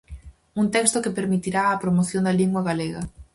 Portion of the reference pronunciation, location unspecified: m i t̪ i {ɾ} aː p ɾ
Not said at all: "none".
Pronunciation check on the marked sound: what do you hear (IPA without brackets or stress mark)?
ɾ